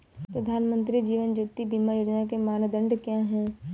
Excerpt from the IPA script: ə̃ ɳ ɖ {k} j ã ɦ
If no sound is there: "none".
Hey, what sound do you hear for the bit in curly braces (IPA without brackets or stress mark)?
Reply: k